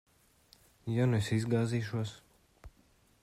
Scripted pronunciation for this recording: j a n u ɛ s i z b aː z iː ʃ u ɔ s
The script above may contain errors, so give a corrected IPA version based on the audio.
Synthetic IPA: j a n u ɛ s i z ɡ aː z iː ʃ u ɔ s